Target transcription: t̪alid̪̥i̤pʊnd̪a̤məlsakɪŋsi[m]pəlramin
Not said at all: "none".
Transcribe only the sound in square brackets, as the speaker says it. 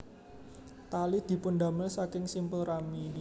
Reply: m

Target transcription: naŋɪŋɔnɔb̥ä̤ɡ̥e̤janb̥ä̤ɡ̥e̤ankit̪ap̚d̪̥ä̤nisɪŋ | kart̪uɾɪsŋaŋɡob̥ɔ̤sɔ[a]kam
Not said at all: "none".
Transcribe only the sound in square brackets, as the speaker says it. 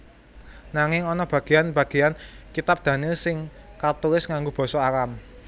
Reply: a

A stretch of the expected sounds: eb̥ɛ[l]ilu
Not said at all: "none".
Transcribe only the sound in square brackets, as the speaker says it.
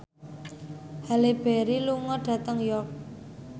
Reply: ɾ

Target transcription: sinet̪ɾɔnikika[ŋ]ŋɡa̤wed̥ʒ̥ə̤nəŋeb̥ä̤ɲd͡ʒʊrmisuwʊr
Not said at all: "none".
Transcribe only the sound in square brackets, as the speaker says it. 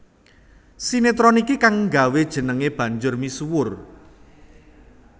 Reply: ŋ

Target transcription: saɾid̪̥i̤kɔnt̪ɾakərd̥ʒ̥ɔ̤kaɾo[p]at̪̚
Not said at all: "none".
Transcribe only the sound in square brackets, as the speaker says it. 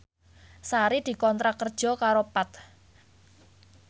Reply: p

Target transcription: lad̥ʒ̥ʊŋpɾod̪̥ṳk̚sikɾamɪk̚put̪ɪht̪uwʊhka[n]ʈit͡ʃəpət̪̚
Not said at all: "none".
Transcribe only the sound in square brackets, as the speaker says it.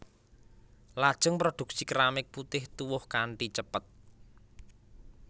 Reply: ɳ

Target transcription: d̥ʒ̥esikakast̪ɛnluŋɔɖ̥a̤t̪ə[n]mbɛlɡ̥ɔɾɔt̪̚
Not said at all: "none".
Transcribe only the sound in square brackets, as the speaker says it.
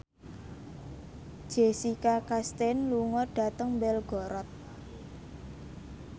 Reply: ŋ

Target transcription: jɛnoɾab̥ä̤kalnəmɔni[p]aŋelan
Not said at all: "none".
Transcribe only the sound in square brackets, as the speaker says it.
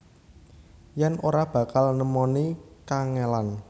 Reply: k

